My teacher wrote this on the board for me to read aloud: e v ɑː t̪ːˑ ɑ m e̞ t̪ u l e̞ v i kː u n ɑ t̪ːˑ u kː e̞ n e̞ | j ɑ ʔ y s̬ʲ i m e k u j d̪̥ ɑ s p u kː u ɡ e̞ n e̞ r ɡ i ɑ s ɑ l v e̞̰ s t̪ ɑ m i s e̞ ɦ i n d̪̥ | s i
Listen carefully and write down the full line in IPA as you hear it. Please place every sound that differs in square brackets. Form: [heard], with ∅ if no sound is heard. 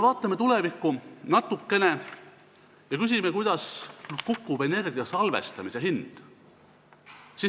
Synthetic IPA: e v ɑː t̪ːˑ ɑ m e̞ t̪ u l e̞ v i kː u n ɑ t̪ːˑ u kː e̞ n e̞ | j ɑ [k] y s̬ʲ i m e k u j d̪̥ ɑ s [k] u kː u [b] e̞ n e̞ r ɡ i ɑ s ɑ l v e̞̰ s t̪ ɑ m i s e̞ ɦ i n d̪̥ | s i